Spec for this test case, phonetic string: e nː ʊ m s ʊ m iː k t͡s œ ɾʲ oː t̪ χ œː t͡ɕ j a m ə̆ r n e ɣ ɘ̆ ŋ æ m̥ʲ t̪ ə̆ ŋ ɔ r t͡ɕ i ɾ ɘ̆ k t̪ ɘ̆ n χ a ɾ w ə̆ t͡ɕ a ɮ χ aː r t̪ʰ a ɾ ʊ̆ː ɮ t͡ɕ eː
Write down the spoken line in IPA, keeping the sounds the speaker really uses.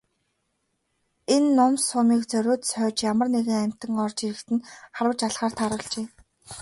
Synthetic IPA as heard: e nː ʊ m s ʊ m iː k t͡s œ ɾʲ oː t̪ s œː t͡ɕ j a m ə̆ r n e ɣ ɘ̆ ŋ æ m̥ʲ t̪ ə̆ ŋ ɔ r t͡ɕ i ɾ ɘ̆ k t̪ ɘ̆ n χ a ɾ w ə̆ t͡ɕ a ɮ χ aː r t̪ʰ a ɾ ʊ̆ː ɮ t͡ɕ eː